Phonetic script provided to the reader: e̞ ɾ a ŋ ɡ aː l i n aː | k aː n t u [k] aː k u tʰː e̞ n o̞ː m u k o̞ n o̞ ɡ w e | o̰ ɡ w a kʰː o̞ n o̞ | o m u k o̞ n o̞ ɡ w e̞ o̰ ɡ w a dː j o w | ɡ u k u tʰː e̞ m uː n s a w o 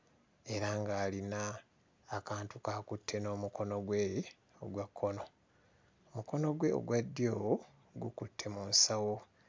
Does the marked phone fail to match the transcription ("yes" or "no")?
no